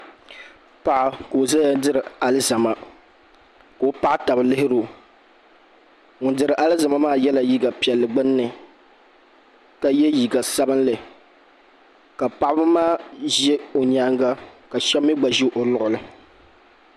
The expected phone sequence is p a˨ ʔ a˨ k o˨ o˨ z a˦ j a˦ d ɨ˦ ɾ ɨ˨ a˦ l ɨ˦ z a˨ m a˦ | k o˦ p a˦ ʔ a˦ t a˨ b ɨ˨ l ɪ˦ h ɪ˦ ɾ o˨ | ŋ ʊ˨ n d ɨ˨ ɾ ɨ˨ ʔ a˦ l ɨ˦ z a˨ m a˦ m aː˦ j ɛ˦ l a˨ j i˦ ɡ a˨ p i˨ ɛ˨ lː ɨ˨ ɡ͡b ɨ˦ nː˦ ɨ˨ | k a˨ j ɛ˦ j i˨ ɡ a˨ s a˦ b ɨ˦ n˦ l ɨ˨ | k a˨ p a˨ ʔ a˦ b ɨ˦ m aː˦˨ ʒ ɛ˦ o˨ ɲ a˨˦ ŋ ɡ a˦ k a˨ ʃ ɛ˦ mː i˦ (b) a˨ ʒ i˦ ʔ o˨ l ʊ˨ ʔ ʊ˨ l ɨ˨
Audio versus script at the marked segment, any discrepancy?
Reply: yes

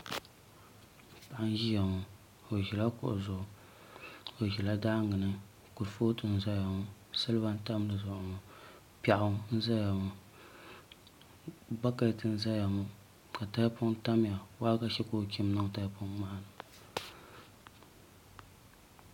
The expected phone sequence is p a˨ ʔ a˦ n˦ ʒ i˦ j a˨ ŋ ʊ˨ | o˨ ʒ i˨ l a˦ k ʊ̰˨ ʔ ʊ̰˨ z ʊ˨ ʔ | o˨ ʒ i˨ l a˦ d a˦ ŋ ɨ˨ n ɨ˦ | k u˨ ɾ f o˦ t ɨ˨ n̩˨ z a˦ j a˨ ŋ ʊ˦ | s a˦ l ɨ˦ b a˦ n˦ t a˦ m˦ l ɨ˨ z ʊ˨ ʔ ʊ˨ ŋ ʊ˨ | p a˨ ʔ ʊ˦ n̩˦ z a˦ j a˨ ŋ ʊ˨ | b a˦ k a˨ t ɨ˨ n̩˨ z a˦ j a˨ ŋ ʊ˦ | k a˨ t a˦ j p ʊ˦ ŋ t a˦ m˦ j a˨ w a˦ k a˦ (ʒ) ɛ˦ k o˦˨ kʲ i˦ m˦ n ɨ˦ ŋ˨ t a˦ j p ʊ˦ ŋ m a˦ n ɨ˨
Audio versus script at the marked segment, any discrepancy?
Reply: yes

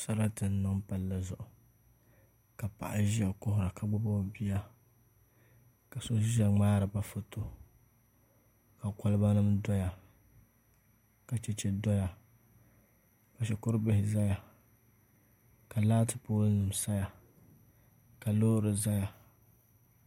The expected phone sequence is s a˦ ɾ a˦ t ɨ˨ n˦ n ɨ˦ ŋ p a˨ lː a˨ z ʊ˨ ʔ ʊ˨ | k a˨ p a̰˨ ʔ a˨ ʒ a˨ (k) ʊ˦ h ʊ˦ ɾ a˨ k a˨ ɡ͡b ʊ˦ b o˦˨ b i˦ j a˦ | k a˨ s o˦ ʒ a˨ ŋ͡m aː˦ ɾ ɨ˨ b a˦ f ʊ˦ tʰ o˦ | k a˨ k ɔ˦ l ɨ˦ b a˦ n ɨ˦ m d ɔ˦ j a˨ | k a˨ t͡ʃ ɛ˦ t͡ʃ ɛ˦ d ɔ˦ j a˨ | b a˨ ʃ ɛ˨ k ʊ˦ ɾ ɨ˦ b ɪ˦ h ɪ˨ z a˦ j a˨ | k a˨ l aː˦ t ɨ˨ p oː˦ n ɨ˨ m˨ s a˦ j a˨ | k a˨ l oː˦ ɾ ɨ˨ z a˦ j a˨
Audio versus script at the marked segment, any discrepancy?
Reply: no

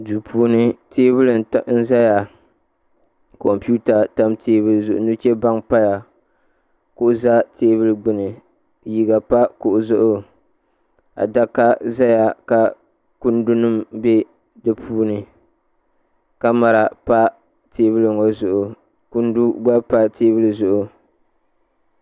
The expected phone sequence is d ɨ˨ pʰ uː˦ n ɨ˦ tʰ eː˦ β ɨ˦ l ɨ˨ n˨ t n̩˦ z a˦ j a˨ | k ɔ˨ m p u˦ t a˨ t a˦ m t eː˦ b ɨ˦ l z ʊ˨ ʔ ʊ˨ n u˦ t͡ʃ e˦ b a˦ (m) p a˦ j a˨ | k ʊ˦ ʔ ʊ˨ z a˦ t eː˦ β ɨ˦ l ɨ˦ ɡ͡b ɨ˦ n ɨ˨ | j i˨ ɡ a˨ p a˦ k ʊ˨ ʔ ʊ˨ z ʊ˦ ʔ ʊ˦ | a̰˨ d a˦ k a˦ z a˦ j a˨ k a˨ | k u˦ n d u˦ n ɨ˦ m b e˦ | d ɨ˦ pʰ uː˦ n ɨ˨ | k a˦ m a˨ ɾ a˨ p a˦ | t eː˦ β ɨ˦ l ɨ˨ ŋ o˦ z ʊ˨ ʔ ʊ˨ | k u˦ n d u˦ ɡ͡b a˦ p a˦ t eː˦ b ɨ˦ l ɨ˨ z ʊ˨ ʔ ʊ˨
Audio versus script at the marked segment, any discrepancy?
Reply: yes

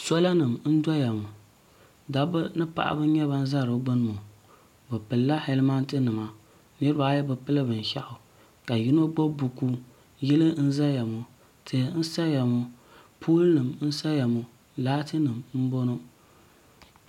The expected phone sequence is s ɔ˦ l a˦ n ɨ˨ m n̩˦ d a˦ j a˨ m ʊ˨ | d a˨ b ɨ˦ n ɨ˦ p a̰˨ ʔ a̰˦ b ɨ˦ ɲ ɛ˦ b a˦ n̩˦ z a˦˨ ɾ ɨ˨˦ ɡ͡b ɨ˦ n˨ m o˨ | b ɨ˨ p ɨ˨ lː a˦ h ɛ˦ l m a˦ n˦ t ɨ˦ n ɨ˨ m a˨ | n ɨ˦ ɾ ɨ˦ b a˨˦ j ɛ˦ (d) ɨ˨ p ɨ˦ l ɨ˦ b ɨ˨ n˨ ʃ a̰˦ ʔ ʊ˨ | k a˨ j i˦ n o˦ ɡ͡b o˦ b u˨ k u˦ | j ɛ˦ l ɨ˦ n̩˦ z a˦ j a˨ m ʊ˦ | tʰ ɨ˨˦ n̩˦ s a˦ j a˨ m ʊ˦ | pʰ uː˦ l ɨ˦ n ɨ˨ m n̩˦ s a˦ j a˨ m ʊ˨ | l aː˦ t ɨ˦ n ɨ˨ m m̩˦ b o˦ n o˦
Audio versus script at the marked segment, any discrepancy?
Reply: yes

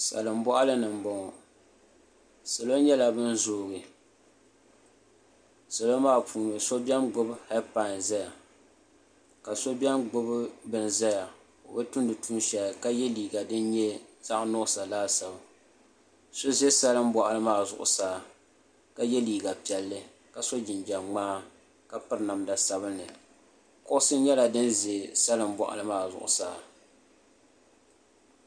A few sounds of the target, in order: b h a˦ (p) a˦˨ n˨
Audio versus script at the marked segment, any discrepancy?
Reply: no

